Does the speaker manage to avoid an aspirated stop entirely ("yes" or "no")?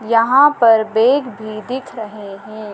no